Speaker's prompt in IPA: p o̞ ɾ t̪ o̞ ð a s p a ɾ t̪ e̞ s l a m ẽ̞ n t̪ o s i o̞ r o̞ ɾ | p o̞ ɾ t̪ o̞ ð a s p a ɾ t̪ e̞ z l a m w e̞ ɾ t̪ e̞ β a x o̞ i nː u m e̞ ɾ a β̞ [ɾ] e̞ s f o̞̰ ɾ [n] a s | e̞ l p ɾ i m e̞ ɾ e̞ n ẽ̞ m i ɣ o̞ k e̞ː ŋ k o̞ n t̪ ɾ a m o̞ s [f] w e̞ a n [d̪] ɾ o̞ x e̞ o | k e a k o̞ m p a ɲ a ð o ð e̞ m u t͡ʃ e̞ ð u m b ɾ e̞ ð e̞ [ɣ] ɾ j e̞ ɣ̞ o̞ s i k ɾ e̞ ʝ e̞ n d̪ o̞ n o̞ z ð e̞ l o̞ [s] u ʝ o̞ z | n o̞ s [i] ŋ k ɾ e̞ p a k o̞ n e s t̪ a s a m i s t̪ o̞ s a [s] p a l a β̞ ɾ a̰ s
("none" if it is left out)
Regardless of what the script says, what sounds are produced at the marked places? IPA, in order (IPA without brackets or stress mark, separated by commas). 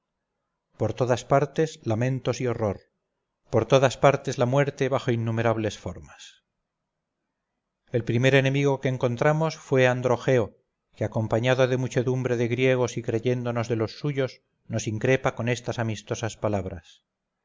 l, m, f, d̪, ɣ, sː, i, s